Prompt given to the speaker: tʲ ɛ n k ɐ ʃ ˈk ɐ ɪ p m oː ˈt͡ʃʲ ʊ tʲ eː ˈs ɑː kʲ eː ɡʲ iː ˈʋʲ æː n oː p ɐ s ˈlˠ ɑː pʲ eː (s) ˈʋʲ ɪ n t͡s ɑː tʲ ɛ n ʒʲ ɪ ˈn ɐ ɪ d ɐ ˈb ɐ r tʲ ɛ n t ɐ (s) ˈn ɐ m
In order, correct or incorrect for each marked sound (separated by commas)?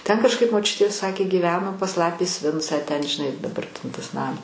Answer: correct, correct